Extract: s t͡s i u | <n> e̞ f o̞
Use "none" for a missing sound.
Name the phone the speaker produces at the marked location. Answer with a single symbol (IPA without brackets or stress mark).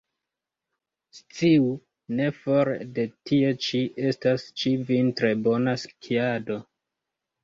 n